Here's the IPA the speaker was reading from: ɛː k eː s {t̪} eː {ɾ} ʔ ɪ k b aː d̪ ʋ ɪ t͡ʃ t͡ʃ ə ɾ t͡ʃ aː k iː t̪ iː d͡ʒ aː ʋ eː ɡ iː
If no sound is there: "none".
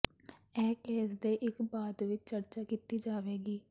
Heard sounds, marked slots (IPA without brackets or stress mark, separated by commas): d̪, none